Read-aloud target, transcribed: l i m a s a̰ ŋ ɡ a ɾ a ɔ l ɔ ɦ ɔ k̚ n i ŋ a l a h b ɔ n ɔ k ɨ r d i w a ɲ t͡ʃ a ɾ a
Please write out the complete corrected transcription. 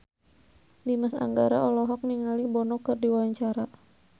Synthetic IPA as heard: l i m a s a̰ ŋ ɡ a ɾ a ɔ l ɔ ɦ ɔ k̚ n i ŋ a l i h b ɔ n ɔ k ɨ r d i w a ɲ t͡ʃ a ɾ a